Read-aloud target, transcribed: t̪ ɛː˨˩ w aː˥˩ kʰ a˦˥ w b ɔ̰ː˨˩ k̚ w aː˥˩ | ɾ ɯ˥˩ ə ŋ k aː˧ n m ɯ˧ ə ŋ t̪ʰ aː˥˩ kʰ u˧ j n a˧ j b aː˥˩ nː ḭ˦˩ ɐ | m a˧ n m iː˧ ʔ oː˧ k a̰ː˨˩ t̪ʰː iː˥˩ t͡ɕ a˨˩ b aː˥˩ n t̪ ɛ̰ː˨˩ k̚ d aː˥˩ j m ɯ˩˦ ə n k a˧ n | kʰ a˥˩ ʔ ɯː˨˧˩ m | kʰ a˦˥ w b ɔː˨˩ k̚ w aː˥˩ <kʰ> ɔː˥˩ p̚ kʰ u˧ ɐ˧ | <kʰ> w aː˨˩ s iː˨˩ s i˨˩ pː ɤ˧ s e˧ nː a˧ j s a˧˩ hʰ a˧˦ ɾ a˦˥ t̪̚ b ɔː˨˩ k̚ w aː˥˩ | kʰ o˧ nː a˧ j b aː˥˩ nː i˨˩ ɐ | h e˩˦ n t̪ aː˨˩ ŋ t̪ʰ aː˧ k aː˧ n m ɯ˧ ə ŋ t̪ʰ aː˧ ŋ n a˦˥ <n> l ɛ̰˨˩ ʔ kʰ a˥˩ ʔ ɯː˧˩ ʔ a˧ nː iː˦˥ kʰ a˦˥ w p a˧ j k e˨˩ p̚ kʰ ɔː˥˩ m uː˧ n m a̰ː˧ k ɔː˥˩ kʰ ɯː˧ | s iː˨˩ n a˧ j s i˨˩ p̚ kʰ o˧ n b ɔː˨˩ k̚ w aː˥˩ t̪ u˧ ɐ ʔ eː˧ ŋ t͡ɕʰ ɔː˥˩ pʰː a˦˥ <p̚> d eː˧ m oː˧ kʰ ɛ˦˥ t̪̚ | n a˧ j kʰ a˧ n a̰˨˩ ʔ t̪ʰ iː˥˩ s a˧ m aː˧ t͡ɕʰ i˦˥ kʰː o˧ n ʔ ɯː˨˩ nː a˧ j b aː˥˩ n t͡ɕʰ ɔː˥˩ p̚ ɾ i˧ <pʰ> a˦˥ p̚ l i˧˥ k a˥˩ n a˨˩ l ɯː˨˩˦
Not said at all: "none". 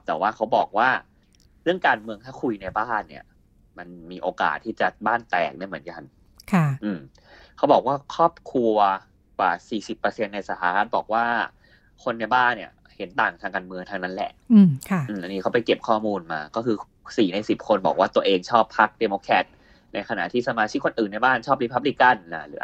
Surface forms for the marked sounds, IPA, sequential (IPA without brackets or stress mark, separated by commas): kʰ, k, n, k̚, pʰ